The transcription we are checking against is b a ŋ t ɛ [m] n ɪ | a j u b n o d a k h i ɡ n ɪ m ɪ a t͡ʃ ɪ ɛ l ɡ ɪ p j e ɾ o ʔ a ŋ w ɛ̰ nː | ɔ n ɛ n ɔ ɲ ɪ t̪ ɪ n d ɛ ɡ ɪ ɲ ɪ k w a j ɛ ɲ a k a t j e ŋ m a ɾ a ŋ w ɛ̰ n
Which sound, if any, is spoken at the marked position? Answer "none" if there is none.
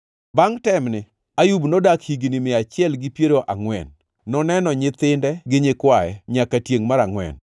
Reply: m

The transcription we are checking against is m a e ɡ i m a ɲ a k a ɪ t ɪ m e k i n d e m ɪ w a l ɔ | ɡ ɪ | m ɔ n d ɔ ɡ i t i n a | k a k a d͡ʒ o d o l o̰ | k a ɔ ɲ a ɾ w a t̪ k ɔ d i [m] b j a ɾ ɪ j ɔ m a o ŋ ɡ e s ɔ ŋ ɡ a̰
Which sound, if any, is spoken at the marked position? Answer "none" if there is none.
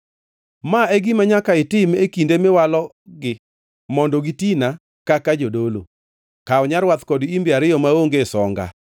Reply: m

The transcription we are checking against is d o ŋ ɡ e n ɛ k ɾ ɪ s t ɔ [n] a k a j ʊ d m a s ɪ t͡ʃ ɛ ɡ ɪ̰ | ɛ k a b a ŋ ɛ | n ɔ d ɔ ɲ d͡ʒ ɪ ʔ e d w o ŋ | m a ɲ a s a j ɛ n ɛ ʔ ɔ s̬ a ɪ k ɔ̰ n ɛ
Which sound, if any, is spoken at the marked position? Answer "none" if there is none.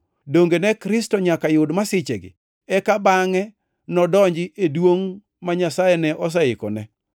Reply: ɲ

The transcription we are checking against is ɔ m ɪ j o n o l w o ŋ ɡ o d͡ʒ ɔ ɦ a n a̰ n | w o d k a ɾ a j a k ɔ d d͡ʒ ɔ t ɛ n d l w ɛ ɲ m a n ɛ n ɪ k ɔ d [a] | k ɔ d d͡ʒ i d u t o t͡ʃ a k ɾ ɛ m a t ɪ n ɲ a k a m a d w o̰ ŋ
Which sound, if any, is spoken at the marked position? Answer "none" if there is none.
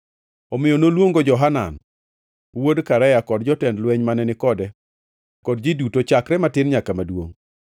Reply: ɛ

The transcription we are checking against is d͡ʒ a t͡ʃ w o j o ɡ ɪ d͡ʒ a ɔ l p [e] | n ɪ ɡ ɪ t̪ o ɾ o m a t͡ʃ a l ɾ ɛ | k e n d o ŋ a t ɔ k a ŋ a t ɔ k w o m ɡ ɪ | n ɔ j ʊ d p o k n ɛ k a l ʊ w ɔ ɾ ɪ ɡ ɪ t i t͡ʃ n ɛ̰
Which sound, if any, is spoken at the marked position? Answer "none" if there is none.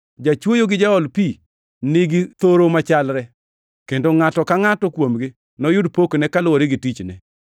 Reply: i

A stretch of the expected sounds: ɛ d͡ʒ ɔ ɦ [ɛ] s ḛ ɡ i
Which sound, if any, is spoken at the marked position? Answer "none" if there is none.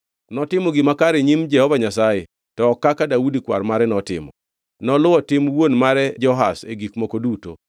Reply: a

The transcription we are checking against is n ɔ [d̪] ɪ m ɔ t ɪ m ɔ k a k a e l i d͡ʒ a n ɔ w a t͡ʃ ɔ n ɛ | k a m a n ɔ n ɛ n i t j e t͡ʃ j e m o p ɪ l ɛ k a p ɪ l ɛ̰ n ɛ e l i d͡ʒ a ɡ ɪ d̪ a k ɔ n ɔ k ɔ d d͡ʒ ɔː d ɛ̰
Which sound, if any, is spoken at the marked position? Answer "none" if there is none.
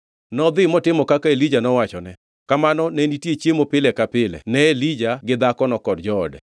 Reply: d̪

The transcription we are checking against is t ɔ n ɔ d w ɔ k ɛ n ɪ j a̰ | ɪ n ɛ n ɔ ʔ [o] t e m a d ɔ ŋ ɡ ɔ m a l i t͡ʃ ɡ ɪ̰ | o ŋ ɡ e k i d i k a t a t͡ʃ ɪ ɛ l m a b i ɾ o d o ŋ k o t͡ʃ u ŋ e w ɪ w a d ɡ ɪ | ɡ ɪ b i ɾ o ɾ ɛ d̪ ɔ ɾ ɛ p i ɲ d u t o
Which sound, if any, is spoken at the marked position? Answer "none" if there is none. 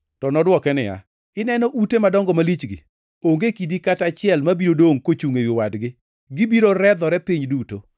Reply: u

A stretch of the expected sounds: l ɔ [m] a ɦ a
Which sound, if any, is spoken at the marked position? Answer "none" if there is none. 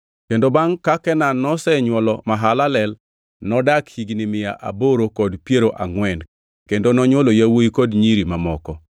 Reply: m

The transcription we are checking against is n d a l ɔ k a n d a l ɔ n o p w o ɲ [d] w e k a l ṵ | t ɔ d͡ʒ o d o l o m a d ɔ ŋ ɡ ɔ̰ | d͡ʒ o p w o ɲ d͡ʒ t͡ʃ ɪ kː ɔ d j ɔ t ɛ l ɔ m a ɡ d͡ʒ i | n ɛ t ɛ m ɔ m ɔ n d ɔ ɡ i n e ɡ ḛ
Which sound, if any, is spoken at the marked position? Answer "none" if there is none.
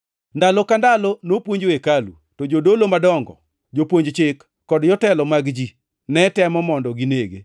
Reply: d͡ʒ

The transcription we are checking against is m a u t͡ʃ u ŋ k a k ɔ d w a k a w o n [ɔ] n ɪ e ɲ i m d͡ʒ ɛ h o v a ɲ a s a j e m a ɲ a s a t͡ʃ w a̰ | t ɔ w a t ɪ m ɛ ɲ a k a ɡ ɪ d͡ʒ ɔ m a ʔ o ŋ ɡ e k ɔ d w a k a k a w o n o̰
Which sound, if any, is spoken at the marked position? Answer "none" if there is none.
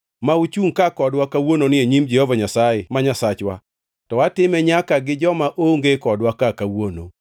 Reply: o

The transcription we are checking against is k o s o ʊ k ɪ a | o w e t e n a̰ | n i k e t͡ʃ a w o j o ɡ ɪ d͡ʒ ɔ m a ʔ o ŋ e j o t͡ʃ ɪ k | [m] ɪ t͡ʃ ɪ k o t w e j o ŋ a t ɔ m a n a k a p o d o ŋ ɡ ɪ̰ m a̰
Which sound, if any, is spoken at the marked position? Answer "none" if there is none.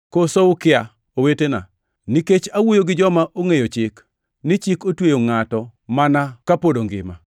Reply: n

